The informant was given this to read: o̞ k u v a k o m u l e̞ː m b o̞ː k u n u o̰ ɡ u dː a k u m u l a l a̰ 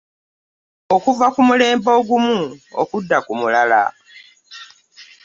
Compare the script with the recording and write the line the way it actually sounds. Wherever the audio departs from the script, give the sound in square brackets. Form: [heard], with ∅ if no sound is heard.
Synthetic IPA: o̞ k u v a k [u] m u l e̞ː m b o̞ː [ɡ] u [m] u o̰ [k] u dː a k u m u l a l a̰